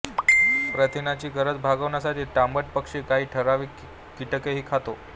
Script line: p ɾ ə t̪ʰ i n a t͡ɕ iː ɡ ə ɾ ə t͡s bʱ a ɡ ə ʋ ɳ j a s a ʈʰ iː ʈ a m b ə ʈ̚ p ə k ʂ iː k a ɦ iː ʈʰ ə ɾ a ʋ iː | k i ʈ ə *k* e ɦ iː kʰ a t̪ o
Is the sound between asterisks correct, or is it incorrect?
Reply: correct